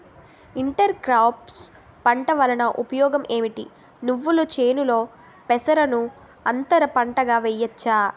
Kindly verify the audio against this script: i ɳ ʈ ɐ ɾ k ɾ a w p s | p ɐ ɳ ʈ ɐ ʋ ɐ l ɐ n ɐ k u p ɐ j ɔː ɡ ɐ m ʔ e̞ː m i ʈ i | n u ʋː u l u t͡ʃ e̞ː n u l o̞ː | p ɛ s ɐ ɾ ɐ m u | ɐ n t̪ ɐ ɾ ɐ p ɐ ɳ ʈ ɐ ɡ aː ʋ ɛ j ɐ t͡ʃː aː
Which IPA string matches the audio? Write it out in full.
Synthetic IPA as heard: i ɳ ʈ ɐ ɾ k ɾ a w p s | p ɐ ɳ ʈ ɐ ʋ ɐ l ɐ n ɐ ʔ u p ɐ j ɔː ɡ ɐ m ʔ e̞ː m i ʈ i | n u ʋː u l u t͡ʃ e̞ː n u l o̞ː | p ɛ s ɐ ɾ ɐ n u | ɐ n t̪ ɐ ɾ ɐ p ɐ ɳ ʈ ɐ ɡ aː ʋ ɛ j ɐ t͡ʃː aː